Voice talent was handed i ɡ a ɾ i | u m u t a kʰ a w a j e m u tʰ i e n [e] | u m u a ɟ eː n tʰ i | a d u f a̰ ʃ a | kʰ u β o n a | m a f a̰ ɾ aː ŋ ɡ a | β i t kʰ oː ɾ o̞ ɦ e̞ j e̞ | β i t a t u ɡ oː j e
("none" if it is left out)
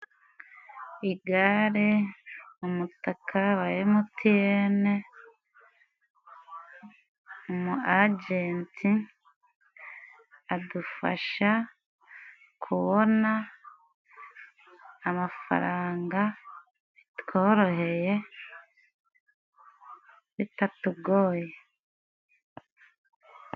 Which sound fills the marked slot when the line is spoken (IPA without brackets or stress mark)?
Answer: e